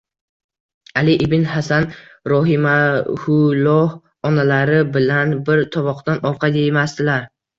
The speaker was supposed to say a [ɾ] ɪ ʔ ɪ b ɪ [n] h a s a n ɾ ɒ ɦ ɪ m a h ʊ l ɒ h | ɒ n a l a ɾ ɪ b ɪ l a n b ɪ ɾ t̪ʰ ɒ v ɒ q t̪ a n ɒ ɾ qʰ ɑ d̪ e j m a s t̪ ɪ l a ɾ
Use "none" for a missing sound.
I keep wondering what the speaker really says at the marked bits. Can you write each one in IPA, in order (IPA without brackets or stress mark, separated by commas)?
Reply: l, n